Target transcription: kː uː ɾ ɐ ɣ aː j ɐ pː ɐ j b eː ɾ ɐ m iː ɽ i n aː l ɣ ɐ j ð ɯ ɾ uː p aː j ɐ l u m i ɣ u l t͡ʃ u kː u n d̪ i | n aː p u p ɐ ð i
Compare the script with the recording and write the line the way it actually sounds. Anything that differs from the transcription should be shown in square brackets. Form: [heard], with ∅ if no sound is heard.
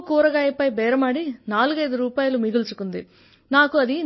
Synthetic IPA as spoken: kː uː ɾ ɐ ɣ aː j ɐ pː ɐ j b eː ɾ ɐ m [aː] ɽ i n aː l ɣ ɐ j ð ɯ ɾ uː p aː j ɐ l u m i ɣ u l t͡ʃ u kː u n d̪ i | n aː [k] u [∅] ɐ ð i